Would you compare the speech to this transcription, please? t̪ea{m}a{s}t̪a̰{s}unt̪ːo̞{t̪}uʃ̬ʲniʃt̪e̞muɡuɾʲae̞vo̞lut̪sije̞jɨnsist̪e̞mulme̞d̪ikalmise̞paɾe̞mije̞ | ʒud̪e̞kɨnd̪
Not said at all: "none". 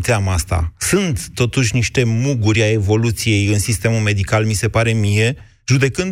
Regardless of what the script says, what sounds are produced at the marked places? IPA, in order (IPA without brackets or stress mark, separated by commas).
m, s, s, t̪